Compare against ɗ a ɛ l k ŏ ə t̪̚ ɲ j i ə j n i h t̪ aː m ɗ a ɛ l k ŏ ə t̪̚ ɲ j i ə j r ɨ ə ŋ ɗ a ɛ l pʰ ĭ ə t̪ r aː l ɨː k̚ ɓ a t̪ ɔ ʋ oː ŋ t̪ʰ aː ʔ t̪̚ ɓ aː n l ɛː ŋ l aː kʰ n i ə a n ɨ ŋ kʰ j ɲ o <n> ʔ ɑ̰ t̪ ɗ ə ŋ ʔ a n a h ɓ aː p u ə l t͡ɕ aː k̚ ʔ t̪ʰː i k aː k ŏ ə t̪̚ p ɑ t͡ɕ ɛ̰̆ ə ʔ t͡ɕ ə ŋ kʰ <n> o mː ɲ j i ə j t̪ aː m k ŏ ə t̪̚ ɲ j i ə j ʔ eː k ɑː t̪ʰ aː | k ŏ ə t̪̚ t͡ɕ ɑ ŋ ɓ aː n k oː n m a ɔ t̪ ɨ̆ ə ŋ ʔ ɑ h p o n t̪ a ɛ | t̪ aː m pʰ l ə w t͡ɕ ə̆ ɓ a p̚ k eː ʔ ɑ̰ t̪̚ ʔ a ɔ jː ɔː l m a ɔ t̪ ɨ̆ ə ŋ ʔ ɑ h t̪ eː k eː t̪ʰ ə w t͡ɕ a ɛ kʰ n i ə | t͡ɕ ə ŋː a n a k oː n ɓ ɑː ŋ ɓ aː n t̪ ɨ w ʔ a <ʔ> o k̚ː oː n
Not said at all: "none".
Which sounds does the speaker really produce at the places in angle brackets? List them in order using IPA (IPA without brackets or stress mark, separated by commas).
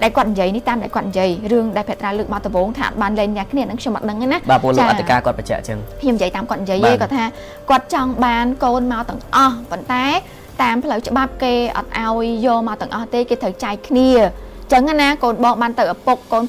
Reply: m, ɲ, p